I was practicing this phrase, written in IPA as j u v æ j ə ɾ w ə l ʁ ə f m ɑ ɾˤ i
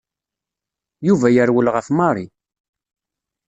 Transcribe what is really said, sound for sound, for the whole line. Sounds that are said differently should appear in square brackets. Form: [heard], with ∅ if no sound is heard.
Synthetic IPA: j u v æ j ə ɾ w ə l ʁ ə f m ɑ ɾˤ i